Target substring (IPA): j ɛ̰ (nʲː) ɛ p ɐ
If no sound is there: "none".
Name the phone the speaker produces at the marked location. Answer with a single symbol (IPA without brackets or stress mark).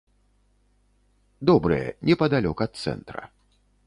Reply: nʲ